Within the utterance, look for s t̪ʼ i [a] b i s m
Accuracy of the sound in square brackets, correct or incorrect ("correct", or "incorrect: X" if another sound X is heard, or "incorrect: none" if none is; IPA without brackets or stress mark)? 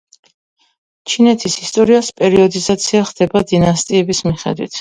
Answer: incorrect: ɛ